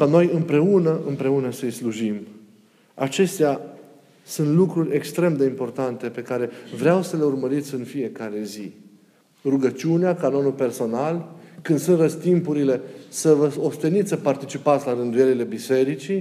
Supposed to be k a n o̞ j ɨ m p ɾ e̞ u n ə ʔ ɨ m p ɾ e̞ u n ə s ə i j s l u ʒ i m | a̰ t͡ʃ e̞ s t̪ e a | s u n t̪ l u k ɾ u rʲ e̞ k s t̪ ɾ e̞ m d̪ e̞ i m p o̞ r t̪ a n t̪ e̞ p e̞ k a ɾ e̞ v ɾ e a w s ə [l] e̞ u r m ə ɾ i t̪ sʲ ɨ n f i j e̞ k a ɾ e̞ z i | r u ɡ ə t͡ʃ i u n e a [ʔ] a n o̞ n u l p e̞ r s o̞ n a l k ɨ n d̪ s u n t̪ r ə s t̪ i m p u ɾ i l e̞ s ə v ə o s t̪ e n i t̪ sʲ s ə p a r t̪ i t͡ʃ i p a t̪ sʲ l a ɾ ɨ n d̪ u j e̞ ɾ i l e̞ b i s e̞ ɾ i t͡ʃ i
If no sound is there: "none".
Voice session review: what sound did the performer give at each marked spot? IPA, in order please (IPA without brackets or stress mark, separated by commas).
l, k